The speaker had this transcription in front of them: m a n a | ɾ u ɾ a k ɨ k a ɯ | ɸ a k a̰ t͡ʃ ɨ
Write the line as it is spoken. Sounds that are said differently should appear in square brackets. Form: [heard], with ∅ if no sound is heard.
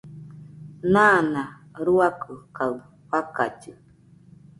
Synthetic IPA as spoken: [n] a n a | ɾ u [∅] a k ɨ k a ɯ | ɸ a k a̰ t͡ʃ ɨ